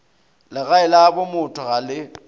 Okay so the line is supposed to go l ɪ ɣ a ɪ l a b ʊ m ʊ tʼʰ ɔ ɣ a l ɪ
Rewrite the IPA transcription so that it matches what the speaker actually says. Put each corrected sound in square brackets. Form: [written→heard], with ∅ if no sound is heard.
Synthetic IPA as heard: l ɪ ɣ a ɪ l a b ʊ m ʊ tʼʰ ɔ ɣ a l ɪ